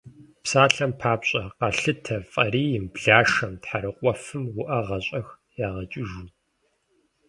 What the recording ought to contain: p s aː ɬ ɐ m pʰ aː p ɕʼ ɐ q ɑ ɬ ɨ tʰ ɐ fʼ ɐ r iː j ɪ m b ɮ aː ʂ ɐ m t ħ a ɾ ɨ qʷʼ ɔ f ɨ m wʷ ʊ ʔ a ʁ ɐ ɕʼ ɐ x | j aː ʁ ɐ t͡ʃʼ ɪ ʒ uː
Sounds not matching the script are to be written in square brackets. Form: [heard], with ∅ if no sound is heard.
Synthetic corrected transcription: p s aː ɬ ɐ m pʰ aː p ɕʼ ɐ q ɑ ɬ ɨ tʰ ɐ fʼ ɐ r iː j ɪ m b ɮ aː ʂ ɐ m t ħ a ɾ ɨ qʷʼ ɔ f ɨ m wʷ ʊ ʔ [ɐ] ʁ ɐ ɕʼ ɐ x | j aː ʁ ɐ t͡ʃʼ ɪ ʒ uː